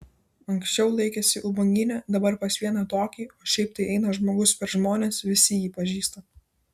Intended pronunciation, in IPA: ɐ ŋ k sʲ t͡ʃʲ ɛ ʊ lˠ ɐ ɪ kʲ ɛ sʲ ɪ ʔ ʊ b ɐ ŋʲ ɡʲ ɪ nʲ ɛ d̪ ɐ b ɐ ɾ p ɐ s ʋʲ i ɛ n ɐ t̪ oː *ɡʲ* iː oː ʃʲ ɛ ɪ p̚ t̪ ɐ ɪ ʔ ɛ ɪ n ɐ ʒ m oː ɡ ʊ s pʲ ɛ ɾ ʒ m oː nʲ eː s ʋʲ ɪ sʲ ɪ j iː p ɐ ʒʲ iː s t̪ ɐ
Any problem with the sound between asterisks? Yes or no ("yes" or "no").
yes